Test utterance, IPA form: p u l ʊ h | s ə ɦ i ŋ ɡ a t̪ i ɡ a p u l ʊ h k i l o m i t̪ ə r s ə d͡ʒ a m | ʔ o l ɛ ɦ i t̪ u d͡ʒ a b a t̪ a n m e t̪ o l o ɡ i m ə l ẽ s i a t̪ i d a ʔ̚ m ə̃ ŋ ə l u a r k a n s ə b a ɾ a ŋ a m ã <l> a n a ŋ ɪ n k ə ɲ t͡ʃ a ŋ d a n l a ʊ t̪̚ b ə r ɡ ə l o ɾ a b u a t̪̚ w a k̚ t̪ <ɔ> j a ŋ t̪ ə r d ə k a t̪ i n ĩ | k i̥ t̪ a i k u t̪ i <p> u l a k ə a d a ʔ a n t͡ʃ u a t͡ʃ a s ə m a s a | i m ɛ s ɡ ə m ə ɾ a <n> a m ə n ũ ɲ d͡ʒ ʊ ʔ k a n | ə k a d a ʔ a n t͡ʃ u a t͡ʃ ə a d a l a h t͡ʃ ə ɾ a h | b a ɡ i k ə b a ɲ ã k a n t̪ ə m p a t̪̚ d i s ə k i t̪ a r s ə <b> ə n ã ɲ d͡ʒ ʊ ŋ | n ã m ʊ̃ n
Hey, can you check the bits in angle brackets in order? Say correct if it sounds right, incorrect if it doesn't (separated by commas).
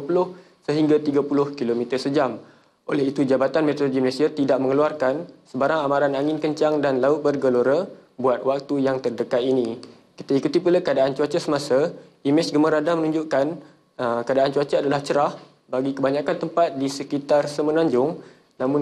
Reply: incorrect, incorrect, correct, incorrect, incorrect